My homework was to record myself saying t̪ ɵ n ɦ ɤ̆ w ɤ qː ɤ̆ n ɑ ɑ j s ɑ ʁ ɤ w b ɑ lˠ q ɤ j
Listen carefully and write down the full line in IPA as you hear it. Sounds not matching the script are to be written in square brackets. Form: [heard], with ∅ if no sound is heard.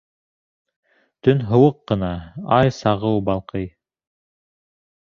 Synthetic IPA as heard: t̪ ɵ n ɦ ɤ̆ w ɤ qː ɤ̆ n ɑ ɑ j s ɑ ʁ ɤ w b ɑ lˠ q ɤ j